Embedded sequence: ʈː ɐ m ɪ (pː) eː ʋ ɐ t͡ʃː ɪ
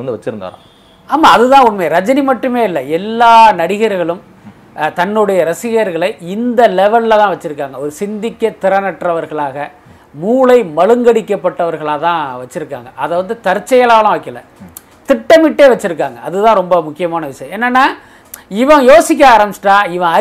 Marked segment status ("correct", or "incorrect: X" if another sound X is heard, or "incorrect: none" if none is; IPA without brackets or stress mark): incorrect: ʈː